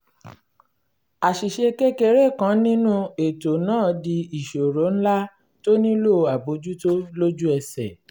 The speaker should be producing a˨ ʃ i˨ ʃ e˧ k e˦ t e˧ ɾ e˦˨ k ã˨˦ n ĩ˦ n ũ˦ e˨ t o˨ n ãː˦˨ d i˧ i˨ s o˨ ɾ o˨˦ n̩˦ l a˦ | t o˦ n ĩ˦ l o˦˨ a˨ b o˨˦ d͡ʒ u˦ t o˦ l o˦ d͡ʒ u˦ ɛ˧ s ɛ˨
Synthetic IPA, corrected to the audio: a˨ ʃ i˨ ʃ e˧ k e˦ k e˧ ɾ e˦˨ k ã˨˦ n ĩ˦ n ũ˦ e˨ t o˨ n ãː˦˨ d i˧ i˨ ʃ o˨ ɾ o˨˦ n̩˦ l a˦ | t o˦ n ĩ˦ l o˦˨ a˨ b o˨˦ d͡ʒ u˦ t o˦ l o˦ d͡ʒ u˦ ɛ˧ s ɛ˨

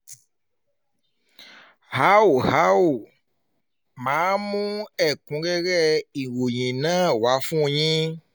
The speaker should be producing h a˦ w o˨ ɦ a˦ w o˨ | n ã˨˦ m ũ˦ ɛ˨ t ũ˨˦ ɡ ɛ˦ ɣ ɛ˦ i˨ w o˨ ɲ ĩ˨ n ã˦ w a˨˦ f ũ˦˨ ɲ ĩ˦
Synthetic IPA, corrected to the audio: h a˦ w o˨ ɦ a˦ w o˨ | m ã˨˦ m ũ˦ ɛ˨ k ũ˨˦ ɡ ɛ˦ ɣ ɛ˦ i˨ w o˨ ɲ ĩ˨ n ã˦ w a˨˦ f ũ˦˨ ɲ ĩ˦

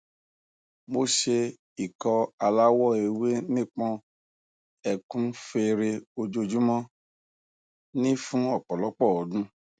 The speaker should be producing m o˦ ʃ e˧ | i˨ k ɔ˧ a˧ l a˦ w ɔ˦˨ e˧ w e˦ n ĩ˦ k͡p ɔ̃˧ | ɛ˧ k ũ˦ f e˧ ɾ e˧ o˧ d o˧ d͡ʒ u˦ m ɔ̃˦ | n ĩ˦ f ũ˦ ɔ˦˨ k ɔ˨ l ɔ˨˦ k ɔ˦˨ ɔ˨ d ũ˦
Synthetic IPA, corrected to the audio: m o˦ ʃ e˧ | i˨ k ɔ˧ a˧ l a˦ w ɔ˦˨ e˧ w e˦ n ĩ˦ k͡p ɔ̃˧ | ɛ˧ k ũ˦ f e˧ ɾ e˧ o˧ d͡ʒ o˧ d͡ʒ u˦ m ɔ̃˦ | n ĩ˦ f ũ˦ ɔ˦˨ k͡p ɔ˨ l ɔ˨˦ k͡p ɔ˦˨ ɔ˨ d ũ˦

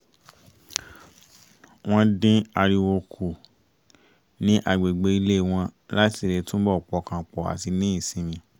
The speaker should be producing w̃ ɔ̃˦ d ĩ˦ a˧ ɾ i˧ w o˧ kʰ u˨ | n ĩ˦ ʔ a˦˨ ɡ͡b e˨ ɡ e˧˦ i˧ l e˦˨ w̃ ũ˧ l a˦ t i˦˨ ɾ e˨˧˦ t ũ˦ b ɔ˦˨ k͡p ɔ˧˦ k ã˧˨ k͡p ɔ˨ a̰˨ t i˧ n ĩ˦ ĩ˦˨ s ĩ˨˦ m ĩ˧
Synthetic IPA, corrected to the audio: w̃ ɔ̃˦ d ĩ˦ a˧ ɾ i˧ w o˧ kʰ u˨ | n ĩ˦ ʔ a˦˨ ɡ͡b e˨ ɡ͡b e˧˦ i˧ l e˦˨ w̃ ɔ̃˧ l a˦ t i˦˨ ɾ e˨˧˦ t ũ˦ b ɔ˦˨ k͡p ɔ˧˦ k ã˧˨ k͡p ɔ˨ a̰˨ t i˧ n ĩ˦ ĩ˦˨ s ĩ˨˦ m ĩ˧

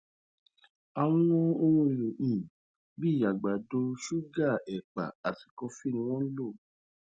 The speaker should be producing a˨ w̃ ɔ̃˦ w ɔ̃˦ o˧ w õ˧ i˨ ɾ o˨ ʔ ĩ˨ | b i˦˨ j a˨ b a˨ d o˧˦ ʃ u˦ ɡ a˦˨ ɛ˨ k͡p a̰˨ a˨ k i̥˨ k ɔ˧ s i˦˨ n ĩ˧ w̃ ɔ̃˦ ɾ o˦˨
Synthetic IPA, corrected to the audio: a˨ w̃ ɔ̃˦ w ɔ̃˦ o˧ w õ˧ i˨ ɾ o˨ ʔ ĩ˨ | b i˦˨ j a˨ ɡ͡b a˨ d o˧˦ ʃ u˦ ɡ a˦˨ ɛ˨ k͡p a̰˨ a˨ t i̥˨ k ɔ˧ f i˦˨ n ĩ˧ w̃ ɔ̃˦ l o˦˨

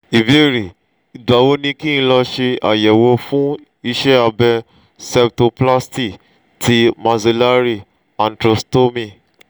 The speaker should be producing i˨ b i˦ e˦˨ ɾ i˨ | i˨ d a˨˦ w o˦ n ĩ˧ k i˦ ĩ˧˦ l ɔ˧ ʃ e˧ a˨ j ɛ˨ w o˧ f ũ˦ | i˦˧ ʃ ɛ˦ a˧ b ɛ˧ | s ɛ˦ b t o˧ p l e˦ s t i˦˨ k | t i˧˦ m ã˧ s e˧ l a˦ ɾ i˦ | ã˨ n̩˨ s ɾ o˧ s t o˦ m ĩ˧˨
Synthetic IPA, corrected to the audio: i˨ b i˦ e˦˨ ɾ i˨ | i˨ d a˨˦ w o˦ n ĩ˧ k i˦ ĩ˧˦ l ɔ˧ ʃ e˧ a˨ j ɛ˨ w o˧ f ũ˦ | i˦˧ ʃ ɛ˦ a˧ b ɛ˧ | s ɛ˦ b t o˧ p l a˦ s t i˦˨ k | t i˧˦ m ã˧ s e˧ l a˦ ɾ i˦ | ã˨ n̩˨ t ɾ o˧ s t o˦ m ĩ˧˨

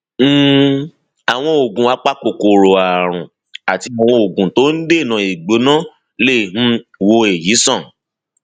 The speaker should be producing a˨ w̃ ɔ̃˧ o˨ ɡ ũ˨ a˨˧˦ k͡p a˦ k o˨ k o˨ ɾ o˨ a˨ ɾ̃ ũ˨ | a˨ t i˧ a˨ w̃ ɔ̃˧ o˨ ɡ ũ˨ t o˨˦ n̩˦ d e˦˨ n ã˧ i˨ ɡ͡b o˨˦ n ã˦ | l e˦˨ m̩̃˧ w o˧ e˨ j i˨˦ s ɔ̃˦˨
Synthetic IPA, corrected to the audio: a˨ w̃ ɔ̃˧ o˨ ɡ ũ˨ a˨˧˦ k͡p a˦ k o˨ k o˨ ɾ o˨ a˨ ɾ̃ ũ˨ | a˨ t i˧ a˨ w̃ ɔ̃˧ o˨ ɡ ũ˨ t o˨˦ n̩˦ d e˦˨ n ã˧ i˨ ɡ͡b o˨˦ n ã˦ | l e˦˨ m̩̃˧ w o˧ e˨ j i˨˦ s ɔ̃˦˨

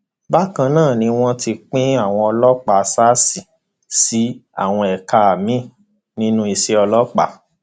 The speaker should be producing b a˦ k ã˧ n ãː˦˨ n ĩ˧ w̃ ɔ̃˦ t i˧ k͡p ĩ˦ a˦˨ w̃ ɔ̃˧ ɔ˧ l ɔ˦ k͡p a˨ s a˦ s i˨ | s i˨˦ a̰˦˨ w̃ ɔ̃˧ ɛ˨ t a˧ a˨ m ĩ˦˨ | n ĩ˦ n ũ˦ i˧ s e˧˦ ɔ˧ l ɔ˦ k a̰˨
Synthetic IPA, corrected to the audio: b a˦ k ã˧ n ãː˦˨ n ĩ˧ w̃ ɔ̃˦ t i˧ k͡p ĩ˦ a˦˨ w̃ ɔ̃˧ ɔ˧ l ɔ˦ k͡p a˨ s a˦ s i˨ | s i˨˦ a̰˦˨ w̃ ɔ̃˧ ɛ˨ k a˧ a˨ m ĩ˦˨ | n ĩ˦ n ũ˦ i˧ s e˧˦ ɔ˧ l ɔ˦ k͡p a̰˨

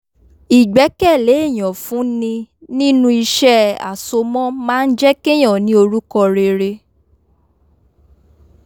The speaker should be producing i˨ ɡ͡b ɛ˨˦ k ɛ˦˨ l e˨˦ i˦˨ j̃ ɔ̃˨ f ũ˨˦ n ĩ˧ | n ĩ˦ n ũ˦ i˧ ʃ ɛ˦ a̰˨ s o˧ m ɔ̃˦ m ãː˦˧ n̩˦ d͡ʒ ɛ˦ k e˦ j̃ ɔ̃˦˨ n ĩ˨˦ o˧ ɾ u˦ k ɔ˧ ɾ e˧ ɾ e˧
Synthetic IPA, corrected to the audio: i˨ ɡ͡b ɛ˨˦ k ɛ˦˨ l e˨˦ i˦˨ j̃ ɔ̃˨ f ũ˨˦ n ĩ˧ | n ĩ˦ n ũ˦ i˧ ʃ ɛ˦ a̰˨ s o˧ m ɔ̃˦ m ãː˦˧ n̩˦ d͡ʒ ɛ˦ k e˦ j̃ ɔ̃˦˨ n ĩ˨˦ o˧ ɾ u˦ k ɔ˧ ɾ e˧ ɾ e˧

